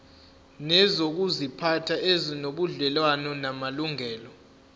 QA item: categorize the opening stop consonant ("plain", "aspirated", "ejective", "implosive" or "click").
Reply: plain